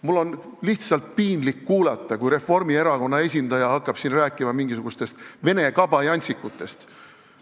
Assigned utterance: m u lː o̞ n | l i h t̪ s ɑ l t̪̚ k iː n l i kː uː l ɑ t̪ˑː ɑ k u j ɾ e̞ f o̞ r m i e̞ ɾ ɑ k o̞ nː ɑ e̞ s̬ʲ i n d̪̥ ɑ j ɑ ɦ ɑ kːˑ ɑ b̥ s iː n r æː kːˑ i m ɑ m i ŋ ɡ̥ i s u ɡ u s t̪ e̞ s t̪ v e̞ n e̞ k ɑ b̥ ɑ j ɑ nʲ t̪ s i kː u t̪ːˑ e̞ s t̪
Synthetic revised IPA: m u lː o̞ n | l i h t̪ s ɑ l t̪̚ p iː n l i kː uː l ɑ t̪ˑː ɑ k u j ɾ e̞ f o̞ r m i e̞ ɾ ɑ k o̞ nː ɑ e̞ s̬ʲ i n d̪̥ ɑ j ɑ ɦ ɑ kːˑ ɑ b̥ s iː n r æː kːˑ i m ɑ m i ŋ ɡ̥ i s u ɡ u s t̪ e̞ s t̪ v e̞ n e̞ k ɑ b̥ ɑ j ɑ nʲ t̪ s i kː u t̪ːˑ e̞ s t̪

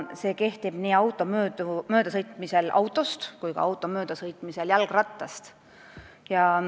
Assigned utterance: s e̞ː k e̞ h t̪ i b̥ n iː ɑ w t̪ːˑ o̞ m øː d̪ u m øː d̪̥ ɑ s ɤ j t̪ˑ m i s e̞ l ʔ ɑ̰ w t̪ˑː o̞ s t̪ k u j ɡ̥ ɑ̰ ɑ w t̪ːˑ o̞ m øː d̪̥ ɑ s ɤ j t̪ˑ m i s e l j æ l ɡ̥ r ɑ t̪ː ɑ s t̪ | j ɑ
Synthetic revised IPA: s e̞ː k e̞ h t̪ i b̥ n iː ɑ w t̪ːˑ o̞ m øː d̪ u m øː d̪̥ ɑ s ɤ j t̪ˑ m i s e̞ l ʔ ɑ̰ w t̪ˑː o̞ s t̪ k u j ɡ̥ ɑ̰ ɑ w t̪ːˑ o̞ m øː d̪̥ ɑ s ɤ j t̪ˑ m i s e l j æ l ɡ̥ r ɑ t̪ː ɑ s t̪ | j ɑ

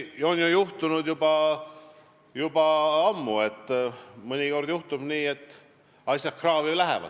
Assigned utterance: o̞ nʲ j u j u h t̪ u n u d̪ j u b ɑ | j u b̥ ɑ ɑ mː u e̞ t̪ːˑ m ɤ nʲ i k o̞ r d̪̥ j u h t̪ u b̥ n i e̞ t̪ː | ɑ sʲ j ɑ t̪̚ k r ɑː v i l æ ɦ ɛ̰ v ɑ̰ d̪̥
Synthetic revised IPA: o̞ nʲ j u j u h t̪ u n u d̪ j u b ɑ | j u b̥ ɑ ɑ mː u e̞ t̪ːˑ m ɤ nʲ i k o̞ r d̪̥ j u h t̪ u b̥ n iː e̞ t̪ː | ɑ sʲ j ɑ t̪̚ k r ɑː v i l æ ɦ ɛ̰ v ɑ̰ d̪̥

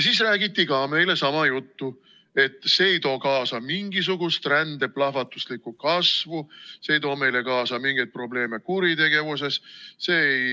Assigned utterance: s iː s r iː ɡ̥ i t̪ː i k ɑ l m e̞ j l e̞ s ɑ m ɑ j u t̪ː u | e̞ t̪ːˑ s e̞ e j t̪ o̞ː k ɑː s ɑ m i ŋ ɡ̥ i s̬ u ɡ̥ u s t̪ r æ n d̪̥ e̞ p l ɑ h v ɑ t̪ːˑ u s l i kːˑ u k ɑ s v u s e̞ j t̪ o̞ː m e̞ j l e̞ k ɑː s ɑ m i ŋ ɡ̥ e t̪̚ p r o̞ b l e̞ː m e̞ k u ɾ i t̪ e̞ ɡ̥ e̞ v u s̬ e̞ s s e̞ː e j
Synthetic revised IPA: s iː s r æː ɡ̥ i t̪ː i k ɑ m e̞ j l e̞ s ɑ m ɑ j u t̪ː u | e̞ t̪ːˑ s e̞ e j t̪ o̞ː k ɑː s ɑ m i ŋ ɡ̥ i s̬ u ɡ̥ u s t̪ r æ n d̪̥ e̞ p l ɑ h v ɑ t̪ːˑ u s l i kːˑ u k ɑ s v u s e̞ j t̪ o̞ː m e̞ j l e̞ k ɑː s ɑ m i ŋ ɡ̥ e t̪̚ p r o̞ b l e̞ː m e̞ k u ɾ i t̪ e̞ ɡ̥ e̞ v u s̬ e̞ s s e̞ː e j

